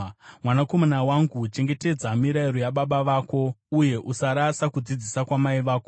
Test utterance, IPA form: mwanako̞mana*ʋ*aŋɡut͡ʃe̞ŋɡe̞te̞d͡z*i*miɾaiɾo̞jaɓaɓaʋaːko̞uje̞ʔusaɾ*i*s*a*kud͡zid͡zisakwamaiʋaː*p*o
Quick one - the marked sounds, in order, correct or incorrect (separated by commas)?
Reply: incorrect, incorrect, incorrect, correct, incorrect